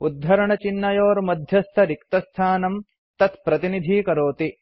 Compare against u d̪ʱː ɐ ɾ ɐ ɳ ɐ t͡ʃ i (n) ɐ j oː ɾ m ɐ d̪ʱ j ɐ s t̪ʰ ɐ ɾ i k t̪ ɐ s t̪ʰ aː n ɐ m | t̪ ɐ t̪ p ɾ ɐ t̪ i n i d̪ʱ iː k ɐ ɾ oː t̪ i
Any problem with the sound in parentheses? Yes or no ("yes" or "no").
yes